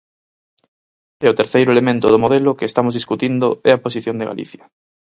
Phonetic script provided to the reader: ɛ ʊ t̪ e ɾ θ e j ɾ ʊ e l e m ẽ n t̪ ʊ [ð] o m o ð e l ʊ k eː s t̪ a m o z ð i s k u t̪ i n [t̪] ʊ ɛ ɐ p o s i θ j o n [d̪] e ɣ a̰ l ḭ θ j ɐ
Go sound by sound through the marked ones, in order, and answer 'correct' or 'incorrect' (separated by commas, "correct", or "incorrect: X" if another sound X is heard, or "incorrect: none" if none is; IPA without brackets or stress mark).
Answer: correct, incorrect: d̪, correct